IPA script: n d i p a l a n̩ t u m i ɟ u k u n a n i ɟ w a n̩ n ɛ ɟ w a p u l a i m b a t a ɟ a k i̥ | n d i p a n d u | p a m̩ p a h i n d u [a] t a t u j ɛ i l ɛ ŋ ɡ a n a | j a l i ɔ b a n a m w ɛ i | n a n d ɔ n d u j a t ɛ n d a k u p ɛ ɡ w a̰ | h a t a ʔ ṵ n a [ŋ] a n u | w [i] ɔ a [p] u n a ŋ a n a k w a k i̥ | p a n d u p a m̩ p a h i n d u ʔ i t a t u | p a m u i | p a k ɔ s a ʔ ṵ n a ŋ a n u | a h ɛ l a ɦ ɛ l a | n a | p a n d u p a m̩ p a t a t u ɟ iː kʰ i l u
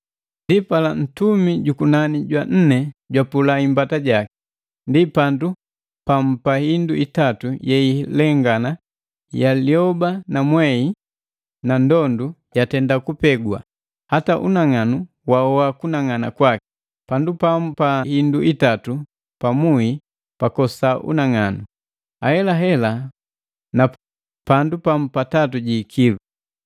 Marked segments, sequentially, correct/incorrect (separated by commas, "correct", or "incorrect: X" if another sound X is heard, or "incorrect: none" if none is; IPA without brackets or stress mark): incorrect: i, correct, incorrect: a, incorrect: k